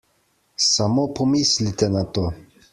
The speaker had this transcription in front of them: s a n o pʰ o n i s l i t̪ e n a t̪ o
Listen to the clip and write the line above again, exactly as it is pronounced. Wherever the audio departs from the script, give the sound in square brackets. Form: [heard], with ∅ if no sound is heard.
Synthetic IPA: s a [m] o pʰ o [m] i s l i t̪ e n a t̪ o